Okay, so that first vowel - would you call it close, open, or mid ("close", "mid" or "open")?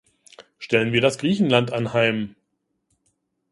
mid